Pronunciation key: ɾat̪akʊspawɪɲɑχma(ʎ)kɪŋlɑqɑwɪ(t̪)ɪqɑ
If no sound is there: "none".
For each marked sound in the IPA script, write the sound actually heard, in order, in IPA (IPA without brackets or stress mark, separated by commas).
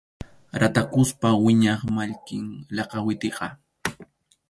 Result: ʎ, t̪